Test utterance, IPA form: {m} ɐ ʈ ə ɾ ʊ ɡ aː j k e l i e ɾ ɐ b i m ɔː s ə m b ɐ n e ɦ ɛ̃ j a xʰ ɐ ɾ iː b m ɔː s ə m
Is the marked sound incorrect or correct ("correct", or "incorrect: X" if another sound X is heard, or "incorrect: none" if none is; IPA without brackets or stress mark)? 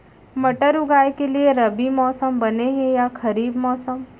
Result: correct